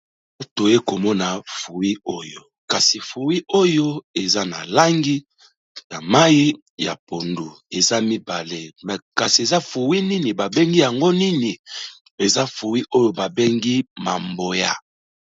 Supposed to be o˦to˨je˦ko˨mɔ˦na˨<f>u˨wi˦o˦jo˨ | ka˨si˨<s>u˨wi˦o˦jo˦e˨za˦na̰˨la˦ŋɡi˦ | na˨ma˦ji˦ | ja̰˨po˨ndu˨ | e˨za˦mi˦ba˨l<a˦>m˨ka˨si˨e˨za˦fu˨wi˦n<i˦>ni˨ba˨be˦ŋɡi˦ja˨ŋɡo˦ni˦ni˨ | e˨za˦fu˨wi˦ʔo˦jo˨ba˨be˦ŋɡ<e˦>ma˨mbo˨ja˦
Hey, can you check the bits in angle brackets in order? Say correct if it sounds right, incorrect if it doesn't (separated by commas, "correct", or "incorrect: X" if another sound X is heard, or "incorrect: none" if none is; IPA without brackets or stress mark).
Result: correct, incorrect: f, incorrect: e˦, correct, incorrect: i˦